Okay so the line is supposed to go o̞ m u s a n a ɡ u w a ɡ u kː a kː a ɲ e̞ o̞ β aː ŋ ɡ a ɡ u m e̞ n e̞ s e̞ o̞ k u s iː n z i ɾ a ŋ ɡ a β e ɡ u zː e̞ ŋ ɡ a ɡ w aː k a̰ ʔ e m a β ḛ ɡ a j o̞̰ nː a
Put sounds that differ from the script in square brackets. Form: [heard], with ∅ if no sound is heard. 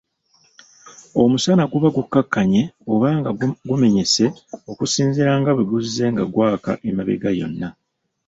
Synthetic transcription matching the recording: o̞ m u s a n a ɡ u [β] a ɡ u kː a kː a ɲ e̞ o̞ β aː ŋ ɡ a ɡ u m e̞ [ɲ] e̞ s e̞ o̞ k u s iː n z i ɾ a ŋ ɡ a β e ɡ u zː e̞ ŋ ɡ a ɡ w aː k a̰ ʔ e m a β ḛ ɡ a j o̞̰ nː a

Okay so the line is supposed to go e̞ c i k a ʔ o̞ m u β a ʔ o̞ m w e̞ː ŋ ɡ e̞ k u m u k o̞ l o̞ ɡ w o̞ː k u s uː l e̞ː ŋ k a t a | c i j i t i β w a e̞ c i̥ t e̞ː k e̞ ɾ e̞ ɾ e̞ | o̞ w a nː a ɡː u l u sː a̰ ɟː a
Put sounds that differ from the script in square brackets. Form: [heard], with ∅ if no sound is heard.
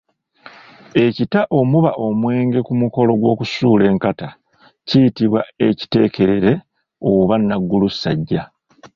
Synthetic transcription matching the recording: e̞ c i [t] a ʔ o̞ m u β a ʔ o̞ m w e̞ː ŋ ɡ e̞ k u m u k o̞ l o̞ ɡ w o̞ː k u s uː l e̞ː ŋ k a t a | c i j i t i β w a e̞ c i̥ t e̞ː k e̞ ɾ e̞ ɾ e̞ | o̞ [β] a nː a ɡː u l u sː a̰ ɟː a

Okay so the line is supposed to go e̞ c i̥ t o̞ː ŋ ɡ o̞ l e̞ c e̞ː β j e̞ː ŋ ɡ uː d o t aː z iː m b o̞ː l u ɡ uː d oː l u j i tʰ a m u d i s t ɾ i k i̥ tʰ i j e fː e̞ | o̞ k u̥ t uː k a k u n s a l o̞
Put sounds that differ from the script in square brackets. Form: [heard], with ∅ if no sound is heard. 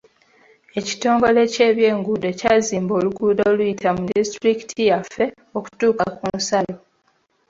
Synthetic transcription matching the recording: e̞ c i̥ t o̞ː ŋ ɡ o̞ l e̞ c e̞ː β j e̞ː ŋ ɡ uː d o [c] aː z iː m b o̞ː l u ɡ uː d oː l u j i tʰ a m u d i s t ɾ i k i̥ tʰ i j [a] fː e̞ | o̞ k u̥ t uː k a k u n s a l o̞

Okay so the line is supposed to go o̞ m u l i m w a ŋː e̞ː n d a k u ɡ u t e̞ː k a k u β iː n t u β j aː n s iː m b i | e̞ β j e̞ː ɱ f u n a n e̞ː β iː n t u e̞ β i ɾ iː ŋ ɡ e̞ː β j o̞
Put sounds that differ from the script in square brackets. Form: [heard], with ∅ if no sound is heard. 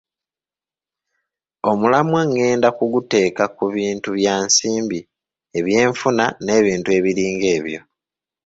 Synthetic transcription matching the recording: o̞ m u l [a] m w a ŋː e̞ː n d a k u ɡ u t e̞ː k a k u β iː n t u β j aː n s iː m b i | e̞ β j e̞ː ɱ f u n a n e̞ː β iː n t u e̞ β i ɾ iː ŋ ɡ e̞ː β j o̞

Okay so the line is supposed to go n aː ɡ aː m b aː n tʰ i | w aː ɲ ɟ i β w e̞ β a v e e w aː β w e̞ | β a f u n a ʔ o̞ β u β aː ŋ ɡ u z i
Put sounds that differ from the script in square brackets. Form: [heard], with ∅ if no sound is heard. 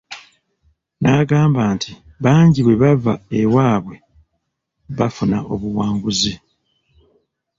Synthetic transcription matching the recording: n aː ɡ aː m b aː n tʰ i | [β] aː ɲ ɟ i β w e̞ β a v [a] e w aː β w e̞ | β a f u n a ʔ o̞ β u [w] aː ŋ ɡ u z i

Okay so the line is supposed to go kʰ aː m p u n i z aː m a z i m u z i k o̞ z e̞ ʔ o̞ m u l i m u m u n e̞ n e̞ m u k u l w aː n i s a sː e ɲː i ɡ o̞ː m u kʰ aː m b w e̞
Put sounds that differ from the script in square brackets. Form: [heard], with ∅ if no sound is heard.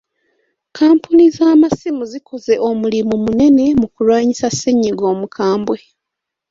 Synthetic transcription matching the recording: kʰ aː m p u n i z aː m a [s] i m u z i k o̞ z e̞ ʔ o̞ m u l i m u m u n e̞ n e̞ m u k u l w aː [ɲ] i s a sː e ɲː i ɡ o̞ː m u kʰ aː m b w e̞

